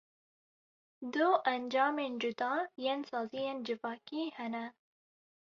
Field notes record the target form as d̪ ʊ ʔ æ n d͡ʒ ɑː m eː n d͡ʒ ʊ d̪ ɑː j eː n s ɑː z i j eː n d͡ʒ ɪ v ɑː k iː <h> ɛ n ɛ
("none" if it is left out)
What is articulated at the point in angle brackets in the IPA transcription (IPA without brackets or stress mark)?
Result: h